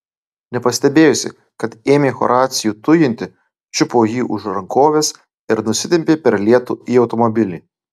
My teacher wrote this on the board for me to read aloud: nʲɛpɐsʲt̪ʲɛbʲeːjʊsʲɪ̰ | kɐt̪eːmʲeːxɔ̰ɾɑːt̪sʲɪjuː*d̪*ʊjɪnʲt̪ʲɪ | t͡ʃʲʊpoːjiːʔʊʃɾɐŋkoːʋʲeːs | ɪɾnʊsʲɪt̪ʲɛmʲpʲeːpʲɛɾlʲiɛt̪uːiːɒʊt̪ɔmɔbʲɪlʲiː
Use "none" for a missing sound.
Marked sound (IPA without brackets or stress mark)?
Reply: t̪